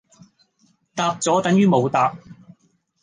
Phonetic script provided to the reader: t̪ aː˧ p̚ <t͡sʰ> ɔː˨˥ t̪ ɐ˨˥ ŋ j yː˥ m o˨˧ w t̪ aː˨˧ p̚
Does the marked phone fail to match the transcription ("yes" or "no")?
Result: yes